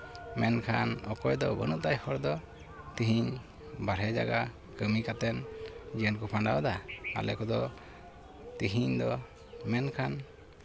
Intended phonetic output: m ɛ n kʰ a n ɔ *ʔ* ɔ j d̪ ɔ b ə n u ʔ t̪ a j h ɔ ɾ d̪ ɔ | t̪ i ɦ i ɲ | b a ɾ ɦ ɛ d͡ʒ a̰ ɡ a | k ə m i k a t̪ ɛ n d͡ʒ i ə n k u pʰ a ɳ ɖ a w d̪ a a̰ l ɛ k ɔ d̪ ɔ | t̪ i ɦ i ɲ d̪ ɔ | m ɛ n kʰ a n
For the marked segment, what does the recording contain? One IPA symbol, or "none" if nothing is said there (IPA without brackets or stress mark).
k